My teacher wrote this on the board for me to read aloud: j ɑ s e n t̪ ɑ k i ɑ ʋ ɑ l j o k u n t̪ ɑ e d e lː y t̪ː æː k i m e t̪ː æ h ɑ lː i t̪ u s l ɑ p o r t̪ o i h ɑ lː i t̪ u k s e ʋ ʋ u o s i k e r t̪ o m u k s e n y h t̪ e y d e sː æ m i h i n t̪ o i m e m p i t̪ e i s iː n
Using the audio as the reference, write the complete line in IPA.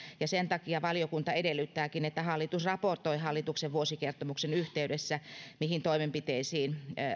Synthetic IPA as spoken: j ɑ s e n t̪ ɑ k i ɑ ʋ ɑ l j o k u n t̪ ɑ e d e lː y t̪ː æː k i n e t̪ː æ h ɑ lː i t̪ u s r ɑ p o r t̪ o i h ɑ lː i t̪ u k s e ʋ ʋ u o s i k e r t̪ o m u k s e n y h t̪ e y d e sː æ m i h i n t̪ o i m e m p i t̪ e i s iː n

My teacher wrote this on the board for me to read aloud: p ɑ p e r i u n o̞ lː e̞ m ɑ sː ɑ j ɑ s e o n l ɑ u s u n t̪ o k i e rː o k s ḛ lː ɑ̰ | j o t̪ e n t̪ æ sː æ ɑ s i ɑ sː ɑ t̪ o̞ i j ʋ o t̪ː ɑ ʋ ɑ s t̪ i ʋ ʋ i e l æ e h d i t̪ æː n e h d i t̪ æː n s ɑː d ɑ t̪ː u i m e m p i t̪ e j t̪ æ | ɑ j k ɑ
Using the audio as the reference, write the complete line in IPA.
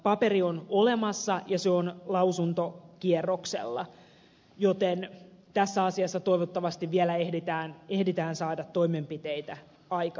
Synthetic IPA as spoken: p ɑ p e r i o n o̞ l e̞ m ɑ sː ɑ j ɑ s e o n l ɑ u s u n t̪ o k i e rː o k s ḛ lː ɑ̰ | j o t̪ e n t̪ æ sː æ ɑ s i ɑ sː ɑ t̪ o̞ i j ʋ o t̪ː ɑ ʋ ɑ s t̪ i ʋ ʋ i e l æ e h d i t̪ æː n e h d i t̪ æː n s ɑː d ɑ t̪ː o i m e m p i t̪ e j t̪ æ | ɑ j k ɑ

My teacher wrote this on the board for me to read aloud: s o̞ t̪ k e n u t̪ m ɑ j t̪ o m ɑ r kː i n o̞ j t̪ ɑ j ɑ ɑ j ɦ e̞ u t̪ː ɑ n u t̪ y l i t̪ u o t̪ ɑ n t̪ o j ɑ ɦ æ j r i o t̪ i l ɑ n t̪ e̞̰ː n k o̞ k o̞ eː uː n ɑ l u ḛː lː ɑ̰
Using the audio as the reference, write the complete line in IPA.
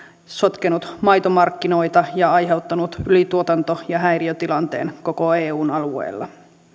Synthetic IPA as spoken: s o̞ t̪ k e n u t̪ m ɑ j t̪ o m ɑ r kː i n o̞ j t̪ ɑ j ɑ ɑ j ɦ e̞ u t̪ː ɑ n u t̪ y l i t̪ u o t̪ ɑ n t̪ o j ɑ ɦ æ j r i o t̪ i l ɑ n t̪ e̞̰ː n k o̞ k o̞ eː uː n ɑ l u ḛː lː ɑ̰

